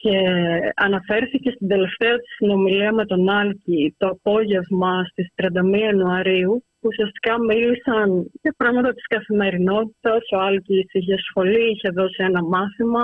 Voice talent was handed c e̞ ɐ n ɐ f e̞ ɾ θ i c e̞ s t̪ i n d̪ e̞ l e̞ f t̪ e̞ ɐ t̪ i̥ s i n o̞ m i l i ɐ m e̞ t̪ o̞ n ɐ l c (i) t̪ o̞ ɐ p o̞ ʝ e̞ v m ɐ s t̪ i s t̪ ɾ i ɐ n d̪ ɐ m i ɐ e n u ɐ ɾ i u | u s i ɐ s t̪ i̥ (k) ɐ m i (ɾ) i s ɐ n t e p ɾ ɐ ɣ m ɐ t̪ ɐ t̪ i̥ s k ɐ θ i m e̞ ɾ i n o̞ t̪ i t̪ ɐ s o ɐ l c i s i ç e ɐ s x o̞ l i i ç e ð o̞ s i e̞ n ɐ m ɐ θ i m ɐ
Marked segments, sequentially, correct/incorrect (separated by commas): correct, correct, incorrect